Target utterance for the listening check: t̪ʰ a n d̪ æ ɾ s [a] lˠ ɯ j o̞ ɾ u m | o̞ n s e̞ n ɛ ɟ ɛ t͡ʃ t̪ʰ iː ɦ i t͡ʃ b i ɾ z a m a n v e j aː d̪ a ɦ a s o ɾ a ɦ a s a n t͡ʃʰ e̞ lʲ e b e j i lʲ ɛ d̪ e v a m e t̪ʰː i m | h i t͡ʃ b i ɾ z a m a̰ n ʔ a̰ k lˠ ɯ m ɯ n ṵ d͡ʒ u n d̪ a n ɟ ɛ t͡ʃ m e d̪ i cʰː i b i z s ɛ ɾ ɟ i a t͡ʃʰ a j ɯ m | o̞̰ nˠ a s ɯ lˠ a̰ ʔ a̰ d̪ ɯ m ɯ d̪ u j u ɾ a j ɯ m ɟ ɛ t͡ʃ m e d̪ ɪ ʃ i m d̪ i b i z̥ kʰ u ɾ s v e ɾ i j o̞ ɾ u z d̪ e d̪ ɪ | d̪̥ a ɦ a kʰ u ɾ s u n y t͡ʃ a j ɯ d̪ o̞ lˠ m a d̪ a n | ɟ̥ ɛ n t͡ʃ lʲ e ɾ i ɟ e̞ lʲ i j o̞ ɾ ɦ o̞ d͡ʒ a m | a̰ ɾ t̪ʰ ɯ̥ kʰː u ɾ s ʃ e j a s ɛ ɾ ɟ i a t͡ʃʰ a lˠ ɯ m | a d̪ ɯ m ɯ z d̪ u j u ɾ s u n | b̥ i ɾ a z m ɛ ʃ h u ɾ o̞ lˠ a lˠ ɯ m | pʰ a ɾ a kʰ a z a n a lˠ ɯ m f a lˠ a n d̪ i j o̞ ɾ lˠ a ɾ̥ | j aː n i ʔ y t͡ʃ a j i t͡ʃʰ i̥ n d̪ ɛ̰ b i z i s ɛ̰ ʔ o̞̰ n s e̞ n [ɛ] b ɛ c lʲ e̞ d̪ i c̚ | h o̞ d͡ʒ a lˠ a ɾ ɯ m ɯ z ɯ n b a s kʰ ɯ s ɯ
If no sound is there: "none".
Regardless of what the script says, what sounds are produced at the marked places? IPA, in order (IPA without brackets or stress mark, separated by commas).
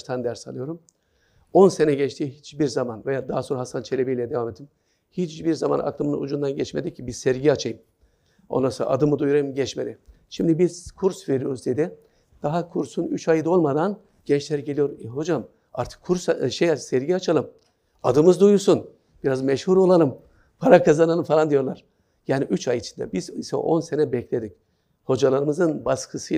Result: a, ɛ